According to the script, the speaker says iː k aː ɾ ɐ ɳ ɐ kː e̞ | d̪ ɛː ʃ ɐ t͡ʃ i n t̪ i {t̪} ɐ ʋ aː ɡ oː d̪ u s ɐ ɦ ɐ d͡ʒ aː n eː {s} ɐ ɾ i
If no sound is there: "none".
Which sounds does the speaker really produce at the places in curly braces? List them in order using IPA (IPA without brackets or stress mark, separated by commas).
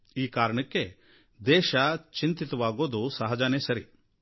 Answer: t̪, s